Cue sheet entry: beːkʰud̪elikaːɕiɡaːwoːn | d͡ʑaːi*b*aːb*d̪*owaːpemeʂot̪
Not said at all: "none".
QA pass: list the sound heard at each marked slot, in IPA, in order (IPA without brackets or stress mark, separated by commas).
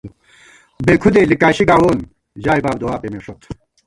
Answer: b, d̪